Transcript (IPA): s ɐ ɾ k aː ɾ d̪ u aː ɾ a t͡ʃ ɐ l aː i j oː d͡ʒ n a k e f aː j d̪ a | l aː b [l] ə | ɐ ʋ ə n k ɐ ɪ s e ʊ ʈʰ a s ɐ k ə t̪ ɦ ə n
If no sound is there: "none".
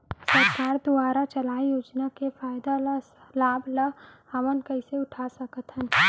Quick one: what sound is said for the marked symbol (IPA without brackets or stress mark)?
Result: l